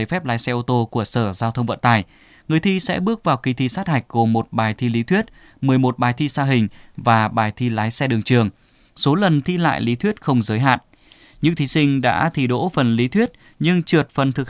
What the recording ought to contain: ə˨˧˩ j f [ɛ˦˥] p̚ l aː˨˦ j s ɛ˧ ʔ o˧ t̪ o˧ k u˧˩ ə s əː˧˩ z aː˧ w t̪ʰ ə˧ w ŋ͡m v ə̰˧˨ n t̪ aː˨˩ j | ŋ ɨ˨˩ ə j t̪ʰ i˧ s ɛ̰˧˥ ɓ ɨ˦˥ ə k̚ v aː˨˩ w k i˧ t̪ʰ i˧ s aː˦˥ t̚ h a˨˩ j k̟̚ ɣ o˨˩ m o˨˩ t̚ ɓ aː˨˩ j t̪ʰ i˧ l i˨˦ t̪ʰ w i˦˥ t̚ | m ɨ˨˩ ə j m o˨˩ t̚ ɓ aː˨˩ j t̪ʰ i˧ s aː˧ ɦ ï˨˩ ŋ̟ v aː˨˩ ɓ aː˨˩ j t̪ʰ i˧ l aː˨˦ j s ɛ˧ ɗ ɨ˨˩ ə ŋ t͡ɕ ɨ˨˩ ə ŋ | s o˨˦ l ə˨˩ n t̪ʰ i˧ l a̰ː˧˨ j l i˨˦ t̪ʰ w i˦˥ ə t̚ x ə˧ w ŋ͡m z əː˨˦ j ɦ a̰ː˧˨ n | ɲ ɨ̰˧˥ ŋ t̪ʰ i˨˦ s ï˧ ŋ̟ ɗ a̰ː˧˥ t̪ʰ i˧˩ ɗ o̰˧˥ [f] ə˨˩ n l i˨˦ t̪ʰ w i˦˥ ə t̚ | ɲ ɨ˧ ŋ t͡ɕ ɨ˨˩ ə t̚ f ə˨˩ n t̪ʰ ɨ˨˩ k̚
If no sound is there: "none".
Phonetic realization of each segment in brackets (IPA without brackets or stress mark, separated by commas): ɛ˦˥, f